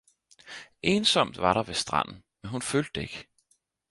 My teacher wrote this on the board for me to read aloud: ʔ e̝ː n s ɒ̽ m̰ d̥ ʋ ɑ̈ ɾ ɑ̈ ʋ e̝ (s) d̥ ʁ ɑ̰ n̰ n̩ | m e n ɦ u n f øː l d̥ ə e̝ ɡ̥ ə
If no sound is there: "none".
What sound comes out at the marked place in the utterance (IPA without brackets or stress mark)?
s